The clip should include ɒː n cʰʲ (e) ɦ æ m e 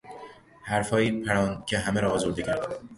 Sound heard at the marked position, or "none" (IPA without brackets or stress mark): e